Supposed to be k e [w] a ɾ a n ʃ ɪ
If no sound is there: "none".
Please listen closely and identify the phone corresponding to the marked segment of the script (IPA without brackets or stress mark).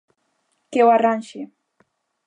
w